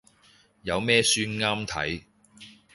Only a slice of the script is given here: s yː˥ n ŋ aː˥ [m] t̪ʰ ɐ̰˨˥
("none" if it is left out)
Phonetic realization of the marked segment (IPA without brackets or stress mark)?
m